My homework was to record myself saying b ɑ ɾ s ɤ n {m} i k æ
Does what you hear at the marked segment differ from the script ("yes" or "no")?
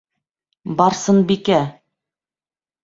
yes